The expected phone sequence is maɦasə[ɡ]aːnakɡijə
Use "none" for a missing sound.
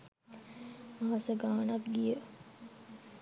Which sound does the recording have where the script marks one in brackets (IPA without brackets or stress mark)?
ɡ